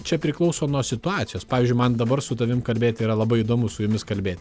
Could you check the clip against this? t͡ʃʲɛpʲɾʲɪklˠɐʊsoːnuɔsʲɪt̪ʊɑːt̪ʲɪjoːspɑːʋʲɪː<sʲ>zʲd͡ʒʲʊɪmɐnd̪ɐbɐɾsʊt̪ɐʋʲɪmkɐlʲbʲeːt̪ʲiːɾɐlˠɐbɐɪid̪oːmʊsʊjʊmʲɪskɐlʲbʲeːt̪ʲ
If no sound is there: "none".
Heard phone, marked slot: none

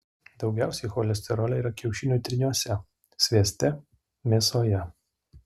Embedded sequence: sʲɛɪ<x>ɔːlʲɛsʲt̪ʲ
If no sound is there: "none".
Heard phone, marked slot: x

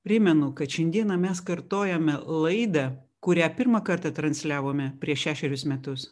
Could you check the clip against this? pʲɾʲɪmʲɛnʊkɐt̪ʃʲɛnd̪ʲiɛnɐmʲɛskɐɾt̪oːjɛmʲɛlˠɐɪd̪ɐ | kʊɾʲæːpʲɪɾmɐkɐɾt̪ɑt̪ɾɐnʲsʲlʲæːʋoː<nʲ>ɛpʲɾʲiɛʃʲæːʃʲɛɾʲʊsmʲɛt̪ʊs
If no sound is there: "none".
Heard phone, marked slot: mʲ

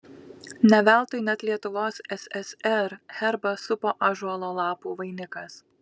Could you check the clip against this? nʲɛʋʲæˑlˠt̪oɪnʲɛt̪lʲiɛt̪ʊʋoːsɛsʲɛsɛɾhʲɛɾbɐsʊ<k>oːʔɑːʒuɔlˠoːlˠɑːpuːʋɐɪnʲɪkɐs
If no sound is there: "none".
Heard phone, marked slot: p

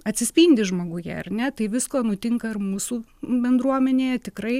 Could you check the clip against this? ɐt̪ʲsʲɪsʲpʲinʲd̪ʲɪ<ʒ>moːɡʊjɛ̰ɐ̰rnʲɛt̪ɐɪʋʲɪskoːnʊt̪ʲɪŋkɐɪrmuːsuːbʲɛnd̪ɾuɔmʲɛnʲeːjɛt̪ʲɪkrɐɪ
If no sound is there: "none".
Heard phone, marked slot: ʒ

